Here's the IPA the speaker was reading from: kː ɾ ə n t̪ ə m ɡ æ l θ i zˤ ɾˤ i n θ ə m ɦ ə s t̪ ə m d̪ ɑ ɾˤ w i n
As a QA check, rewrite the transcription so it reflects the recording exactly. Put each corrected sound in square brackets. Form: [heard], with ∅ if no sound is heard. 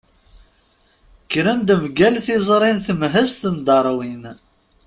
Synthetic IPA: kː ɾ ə n [d̪] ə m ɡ æ l θ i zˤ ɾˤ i n θ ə m ɦ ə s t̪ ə [n] d̪ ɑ ɾˤ w i n